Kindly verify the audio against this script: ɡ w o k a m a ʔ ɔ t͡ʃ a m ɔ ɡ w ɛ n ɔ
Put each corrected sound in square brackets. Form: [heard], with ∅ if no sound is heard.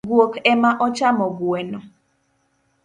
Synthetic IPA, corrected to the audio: ɡ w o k [ɛ] m a ʔ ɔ t͡ʃ a m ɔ ɡ w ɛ n ɔ